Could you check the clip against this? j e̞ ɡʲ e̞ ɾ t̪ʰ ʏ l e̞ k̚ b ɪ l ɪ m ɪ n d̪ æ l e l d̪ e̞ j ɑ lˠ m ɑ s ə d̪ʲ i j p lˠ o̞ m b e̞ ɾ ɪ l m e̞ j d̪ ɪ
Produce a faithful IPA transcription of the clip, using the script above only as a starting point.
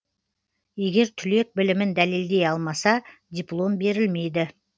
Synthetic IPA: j e̞ ɡʲ e̞ ɾ t̪ʰ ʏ l e̞ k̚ b ɪ l ɪ m ɪ n d̪ æ l e l d̪ e̞ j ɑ lˠ m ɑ s ɑ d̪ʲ i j p lˠ o̞ m b e̞ ɾ ɪ l m e̞ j d̪ ɪ